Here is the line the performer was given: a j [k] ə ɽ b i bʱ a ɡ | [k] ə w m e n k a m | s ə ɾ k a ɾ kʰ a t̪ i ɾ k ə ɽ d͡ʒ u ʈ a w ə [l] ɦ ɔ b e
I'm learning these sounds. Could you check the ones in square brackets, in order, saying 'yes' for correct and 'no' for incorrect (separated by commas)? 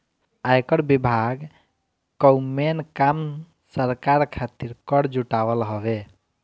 yes, yes, yes